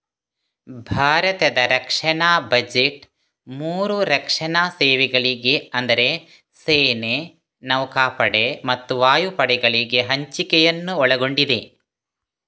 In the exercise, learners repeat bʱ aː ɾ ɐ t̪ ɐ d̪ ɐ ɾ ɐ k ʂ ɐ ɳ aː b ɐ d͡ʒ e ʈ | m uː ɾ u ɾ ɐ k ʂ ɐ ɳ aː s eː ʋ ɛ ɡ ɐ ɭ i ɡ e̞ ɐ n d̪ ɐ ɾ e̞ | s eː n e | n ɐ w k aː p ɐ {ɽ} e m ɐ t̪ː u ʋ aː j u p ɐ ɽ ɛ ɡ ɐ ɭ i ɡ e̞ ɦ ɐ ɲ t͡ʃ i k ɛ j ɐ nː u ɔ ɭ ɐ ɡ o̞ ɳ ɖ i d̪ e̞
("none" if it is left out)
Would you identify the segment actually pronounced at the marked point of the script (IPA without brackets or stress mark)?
ɽ